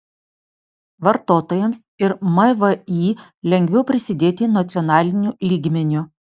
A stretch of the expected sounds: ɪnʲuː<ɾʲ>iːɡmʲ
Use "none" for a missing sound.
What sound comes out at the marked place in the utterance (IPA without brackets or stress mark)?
lʲ